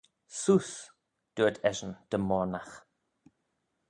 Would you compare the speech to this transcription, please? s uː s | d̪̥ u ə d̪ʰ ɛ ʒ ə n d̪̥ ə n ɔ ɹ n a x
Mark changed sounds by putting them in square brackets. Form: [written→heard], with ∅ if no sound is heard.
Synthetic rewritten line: s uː s | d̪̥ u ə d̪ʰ ɛ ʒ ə n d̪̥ ə [n→m] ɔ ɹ n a x